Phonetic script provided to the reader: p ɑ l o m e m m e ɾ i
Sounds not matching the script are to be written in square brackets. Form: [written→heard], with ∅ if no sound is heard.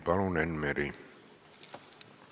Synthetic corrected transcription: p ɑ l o [m→n] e [m→n] m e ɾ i